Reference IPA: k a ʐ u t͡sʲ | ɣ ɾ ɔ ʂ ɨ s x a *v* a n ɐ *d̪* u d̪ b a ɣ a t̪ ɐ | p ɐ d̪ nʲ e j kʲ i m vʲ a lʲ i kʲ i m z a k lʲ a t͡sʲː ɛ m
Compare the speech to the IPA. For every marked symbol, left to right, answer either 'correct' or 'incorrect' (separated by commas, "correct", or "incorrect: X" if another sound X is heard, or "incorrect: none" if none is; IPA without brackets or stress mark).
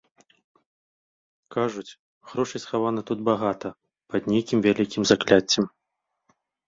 correct, incorrect: t̪